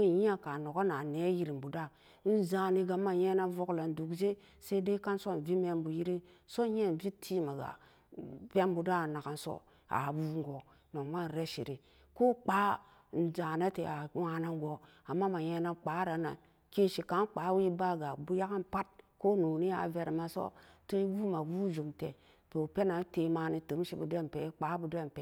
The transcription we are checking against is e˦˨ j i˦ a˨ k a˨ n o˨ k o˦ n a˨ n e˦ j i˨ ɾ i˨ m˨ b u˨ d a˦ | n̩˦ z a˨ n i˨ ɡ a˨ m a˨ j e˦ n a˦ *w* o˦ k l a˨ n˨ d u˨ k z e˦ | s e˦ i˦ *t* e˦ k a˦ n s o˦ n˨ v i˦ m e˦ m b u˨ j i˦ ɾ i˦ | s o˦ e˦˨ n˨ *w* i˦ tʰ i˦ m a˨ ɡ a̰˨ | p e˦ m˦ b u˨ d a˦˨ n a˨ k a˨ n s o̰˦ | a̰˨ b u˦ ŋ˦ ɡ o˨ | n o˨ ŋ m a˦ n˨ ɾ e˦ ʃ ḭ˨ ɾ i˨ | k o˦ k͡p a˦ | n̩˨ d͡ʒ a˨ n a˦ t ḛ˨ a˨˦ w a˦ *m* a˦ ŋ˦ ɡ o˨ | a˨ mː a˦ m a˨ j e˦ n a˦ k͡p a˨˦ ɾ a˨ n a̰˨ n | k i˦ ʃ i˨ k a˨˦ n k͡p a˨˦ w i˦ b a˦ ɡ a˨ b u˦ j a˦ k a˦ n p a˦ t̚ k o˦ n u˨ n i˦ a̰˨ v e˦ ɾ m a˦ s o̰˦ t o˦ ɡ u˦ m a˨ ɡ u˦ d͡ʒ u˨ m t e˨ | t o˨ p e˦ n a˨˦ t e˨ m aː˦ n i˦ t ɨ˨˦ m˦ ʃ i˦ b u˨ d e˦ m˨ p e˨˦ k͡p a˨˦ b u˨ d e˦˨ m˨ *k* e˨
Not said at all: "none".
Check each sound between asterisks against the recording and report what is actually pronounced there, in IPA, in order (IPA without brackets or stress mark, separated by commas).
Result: v, d, v, n, p